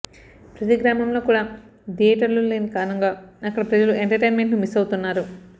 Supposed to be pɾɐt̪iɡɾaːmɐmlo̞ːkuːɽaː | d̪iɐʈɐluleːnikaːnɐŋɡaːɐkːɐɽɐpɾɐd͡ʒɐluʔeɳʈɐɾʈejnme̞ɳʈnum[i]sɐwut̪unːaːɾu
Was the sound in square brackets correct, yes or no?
yes